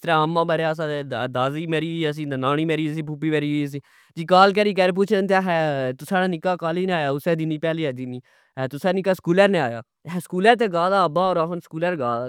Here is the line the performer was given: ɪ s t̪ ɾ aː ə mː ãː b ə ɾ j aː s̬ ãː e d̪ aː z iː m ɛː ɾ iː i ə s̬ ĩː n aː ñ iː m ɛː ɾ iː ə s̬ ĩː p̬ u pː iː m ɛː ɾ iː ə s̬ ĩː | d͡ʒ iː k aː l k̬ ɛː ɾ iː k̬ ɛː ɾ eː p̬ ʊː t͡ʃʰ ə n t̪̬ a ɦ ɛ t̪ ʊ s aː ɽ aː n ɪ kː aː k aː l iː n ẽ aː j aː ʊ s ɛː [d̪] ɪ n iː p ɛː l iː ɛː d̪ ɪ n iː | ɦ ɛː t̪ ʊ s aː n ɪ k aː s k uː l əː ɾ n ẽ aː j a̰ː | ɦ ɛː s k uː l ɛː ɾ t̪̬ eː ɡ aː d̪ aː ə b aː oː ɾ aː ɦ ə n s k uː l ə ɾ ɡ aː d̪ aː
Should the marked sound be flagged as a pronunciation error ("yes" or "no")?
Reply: no